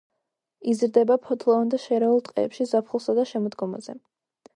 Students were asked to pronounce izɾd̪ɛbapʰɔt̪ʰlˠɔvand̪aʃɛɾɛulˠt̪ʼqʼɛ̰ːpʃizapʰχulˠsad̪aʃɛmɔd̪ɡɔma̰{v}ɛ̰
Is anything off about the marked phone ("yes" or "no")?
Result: yes